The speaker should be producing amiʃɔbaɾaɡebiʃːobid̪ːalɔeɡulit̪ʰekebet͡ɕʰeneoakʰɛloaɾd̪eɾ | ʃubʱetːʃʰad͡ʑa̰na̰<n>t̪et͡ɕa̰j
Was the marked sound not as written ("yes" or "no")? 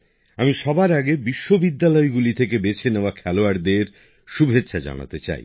yes